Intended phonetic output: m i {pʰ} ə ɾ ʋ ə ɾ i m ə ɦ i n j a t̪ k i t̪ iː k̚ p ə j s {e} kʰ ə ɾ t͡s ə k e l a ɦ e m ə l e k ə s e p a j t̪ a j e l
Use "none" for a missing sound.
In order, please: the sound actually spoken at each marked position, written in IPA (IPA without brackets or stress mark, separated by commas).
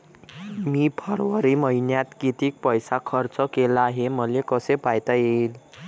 pʰ, a